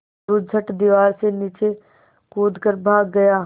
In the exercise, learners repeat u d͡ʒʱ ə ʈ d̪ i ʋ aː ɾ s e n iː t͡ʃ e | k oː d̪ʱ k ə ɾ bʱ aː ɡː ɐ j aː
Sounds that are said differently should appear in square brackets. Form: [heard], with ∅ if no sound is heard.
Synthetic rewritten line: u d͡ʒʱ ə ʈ d̪ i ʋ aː ɾ s e n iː t͡ʃ e | k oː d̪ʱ k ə ɾ bʱ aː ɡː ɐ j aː

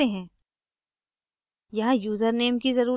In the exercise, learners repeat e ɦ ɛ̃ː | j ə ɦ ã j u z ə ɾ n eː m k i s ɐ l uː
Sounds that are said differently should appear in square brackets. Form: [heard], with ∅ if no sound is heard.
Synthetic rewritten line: e ɦ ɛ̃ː | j [ɐ] ɦ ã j [uː] z ə ɾ n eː m k i [z] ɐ [ɾ] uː

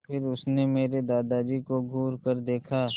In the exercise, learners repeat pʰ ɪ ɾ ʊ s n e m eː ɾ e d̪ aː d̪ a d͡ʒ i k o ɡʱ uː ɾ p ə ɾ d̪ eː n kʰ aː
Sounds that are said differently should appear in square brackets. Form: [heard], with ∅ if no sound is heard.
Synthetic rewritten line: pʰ ɪ ɾ ʊ s n e m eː ɾ e d̪ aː d̪ a d͡ʒ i k o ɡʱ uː ɾ [k] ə ɾ d̪ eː [∅] kʰ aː

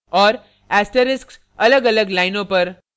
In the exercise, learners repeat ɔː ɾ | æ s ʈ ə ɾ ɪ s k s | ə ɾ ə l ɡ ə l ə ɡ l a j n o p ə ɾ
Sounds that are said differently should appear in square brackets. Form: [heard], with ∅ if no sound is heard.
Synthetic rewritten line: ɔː ɾ | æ s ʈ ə ɾ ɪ s k s | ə [l] ə [∅] ɡ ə l ə ɡ l a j n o p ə ɾ

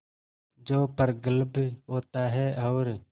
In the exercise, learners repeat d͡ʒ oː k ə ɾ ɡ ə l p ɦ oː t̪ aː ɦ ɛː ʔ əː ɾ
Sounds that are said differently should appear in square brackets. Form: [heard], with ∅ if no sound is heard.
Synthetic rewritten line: d͡ʒ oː [p] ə ɾ ɡ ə l [b] ɦ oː t̪ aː ɦ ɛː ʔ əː ɾ

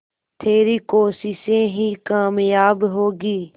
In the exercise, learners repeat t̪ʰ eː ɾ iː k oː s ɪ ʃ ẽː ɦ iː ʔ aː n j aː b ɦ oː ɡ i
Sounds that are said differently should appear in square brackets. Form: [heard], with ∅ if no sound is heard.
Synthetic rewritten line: t̪ʰ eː ɾ iː k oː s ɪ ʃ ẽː ɦ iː [k] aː [m] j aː b ɦ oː ɡ [iː]

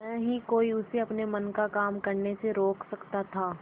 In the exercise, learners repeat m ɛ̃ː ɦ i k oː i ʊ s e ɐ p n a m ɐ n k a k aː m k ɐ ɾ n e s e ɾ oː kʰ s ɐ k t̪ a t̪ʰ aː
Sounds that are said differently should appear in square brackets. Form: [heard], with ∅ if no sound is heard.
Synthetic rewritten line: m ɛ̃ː ɦ i k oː i ʊ s e ɐ p n [e] m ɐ n k a k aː m k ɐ ɾ n e s e ɾ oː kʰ s ɐ k t̪ a t̪ʰ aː

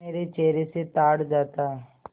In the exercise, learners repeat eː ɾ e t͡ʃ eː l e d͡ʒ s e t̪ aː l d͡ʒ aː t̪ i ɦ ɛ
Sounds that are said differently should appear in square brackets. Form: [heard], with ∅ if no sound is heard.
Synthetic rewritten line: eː ɾ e t͡ʃ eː [ɾ] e [∅] s e t̪ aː [ɽ] d͡ʒ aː t̪ [a] ɦ ɛ

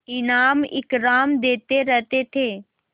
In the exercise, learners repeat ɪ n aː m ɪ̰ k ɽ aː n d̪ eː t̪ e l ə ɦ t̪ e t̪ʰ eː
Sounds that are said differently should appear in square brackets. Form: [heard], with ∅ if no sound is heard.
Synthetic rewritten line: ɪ n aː m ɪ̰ k [ɾ] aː [m] d̪ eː t̪ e [ɾ] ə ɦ t̪ e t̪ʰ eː

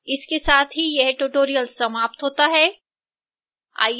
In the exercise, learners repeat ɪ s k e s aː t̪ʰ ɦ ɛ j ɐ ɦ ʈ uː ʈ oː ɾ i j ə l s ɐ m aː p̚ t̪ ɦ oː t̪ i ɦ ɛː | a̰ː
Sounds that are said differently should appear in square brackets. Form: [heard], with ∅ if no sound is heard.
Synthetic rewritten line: ɪ s k e s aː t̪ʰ ɦ [i] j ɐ ɦ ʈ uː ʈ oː ɾ i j ə l s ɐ m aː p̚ t̪ ɦ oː t̪ [a] ɦ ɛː | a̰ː

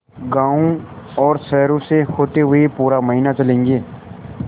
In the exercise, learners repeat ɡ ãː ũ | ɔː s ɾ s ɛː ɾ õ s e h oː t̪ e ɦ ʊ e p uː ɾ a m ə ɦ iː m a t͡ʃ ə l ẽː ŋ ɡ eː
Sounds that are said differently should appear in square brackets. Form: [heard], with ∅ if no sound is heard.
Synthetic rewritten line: ɡ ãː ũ | ɔː [∅] ɾ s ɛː ɾ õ s e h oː t̪ e ɦ ʊ e p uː ɾ a m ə ɦ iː [n] a t͡ʃ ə l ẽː ŋ ɡ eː

